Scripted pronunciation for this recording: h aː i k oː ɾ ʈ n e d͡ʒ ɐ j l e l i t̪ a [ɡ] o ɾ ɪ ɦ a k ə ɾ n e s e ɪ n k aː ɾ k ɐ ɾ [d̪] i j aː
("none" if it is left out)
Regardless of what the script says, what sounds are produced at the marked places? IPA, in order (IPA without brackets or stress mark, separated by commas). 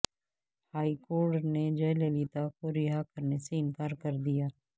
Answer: k, d̪